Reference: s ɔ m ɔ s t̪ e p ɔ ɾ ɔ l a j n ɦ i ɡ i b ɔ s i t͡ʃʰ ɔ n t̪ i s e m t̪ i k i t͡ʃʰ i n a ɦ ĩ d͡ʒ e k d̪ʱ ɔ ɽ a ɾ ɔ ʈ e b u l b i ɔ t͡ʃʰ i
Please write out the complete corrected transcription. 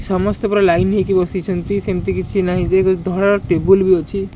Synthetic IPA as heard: s ɔ m ɔ s t̪ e p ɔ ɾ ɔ l a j n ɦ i k i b ɔ s i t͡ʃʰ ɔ n t̪ i s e m t̪ i k i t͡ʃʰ i n a ɦ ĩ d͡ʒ e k d̪ʱ ɔ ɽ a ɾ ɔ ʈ e b u l b i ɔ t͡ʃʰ i